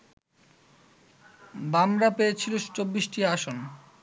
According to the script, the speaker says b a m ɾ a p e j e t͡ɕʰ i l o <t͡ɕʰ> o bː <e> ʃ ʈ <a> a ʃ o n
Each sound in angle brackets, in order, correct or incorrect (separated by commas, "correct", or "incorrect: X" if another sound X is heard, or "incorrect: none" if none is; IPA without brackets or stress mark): incorrect: t͡ɕ, incorrect: i, incorrect: i